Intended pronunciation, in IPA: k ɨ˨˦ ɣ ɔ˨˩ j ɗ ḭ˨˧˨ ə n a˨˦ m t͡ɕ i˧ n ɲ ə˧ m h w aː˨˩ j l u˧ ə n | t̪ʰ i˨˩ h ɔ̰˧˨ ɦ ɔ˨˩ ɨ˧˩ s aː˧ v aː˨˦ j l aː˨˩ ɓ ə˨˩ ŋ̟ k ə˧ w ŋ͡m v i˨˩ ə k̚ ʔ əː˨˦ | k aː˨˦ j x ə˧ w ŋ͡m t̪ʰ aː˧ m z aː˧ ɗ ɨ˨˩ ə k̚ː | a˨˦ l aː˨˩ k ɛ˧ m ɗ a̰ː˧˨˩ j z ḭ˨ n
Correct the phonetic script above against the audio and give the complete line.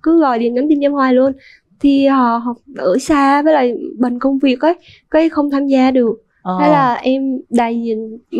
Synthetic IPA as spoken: k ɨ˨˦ ɣ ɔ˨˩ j ɗ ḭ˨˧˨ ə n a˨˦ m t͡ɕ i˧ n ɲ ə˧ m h w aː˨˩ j l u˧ ə n | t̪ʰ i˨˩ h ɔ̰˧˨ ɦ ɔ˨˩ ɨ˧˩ s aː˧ v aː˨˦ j l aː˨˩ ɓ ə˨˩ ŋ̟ k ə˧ w ŋ͡m v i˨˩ ə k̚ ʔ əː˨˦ | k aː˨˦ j x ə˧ w ŋ͡m t̪ʰ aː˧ m z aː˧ ɗ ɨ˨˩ ə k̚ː | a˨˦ l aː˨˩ ʔ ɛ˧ m ɗ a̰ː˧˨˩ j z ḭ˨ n

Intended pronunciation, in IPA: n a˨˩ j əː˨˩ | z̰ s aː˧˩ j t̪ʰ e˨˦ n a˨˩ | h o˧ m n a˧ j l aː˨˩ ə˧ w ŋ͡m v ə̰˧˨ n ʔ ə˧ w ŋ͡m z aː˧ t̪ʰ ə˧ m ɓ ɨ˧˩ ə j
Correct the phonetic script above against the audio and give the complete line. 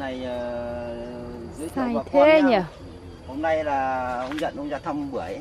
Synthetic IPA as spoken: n a˨˩ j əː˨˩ | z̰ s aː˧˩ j t̪ʰ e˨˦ ɲ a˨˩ | h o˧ m n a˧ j l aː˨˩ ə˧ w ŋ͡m z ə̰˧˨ n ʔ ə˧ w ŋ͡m z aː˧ t̪ʰ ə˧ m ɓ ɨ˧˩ ə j

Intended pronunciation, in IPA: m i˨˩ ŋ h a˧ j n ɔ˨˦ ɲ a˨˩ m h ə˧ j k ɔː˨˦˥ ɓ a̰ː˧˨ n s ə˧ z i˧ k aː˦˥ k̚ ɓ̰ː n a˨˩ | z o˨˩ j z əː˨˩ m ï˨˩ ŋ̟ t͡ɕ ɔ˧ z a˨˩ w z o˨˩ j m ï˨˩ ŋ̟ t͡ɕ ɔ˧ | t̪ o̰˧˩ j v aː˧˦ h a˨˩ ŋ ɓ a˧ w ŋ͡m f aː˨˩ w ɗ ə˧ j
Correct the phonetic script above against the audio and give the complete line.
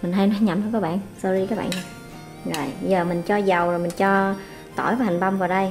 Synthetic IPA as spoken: m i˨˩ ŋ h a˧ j n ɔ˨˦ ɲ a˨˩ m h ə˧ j k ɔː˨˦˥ ɓ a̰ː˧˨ n s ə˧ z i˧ k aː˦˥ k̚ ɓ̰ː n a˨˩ | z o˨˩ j z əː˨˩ m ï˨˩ ŋ̟ t͡ɕ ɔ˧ z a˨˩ w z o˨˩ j m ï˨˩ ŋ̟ t͡ɕ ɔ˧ | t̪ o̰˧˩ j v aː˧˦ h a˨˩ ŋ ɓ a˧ w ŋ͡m v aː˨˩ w ɗ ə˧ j

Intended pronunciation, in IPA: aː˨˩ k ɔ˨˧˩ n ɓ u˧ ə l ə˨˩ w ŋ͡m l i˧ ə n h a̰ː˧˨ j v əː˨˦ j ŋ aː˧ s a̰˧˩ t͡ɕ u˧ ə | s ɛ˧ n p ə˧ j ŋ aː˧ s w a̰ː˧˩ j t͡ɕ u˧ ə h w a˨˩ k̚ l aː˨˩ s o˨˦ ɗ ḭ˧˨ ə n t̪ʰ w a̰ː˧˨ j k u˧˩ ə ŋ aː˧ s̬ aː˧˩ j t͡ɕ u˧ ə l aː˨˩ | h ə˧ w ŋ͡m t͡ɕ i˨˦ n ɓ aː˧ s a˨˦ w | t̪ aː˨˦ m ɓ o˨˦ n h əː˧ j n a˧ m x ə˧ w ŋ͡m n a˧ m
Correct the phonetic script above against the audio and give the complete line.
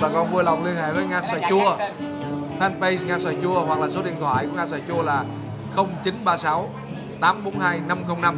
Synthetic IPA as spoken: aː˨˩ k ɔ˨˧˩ n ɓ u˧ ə l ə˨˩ w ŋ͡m l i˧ ə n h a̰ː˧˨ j v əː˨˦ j ŋ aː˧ s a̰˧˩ t͡ɕ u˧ ə | f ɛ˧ n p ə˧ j ŋ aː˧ s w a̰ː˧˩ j t͡ɕ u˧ ə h w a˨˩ k̚ l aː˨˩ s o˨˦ ɗ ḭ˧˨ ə n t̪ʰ w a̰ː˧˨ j k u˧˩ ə ŋ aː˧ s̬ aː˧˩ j t͡ɕ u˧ ə l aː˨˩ | x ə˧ w ŋ͡m t͡ɕ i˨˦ n ɓ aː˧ s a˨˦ w | t̪ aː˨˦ m ɓ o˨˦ n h aː˧ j n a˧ m x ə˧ w ŋ͡m n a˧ m

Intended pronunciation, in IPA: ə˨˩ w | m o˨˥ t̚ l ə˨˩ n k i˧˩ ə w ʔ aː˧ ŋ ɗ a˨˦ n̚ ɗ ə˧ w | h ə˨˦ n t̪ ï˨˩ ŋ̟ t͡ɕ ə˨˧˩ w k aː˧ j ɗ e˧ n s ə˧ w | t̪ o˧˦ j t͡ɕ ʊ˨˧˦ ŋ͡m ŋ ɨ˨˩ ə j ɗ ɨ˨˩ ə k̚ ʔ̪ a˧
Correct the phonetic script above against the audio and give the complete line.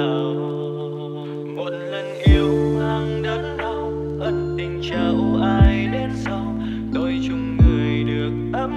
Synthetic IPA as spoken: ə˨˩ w | m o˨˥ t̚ l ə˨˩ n ʔ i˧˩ ə w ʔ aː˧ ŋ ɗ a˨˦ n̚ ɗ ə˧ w | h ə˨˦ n t̪ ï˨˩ ŋ̟ t͡ɕ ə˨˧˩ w ʔ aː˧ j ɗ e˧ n s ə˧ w | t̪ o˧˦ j t͡ɕ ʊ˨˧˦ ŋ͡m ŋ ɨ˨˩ ə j ɗ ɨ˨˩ ə k̚ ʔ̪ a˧

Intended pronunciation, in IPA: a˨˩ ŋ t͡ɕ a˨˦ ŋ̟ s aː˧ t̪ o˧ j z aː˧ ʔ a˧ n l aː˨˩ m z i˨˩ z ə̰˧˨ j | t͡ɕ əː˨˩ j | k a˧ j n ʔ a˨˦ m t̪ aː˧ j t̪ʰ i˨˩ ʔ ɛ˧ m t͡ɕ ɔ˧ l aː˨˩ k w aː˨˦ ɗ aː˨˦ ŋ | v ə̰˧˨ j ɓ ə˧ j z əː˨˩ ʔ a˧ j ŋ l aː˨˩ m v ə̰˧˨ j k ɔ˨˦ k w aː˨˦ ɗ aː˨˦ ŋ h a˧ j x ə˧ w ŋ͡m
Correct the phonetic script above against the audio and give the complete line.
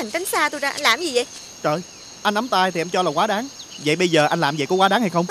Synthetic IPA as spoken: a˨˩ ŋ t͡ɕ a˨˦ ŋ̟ s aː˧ t̪ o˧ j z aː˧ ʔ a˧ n l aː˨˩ m z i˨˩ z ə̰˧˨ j | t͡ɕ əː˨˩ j | ʔ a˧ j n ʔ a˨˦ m t̪ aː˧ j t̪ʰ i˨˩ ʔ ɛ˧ m t͡ɕ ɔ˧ l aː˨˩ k w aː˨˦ ɗ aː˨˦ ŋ | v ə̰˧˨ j ɓ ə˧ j z əː˨˩ ʔ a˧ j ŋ l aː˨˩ m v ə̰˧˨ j k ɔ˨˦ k w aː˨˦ ɗ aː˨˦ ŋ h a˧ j x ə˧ w ŋ͡m

